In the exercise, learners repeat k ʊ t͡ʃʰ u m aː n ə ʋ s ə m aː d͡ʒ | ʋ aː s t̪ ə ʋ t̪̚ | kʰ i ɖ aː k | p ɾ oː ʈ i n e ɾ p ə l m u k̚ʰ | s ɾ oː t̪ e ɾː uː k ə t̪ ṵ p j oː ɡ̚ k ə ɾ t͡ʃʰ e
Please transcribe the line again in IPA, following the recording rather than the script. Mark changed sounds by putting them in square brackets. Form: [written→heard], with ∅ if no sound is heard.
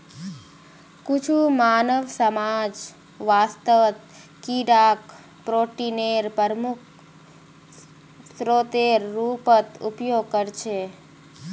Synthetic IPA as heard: k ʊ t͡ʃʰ u m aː n ə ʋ s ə m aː d͡ʒ | ʋ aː s t̪ ə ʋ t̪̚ | [kʰ→k] i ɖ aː k | p ɾ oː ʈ i n e ɾ p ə [l→ɾ] m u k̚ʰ | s ɾ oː t̪ e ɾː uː [k→p] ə t̪ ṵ p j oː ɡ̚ k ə ɾ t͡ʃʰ e